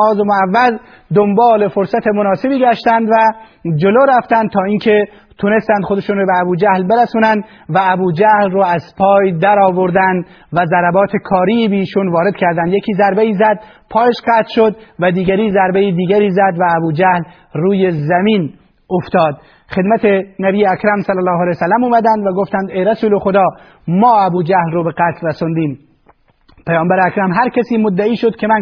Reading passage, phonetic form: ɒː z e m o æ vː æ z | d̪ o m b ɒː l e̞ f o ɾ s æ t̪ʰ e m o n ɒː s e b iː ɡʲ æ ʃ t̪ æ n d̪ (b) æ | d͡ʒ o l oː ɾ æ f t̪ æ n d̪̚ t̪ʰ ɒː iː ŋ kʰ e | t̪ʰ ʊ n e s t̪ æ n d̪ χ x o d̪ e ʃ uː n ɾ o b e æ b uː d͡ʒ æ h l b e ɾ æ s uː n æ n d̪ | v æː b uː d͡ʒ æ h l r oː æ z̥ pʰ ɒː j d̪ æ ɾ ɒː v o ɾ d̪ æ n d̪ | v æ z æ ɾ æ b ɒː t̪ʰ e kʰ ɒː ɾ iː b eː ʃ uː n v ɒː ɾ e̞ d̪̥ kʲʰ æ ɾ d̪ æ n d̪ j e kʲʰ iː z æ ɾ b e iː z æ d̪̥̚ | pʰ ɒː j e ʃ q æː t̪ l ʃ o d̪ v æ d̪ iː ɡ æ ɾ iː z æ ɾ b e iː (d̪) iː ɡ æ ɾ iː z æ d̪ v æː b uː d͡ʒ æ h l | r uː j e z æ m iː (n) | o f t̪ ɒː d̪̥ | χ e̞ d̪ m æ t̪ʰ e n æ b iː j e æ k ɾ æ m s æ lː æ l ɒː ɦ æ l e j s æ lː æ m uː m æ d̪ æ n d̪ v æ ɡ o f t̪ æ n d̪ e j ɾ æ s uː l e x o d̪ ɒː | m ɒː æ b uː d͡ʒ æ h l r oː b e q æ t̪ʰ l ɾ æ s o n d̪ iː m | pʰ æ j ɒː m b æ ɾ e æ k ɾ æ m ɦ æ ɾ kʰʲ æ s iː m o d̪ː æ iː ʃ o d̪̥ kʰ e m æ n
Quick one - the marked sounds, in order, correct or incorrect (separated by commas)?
incorrect, correct, correct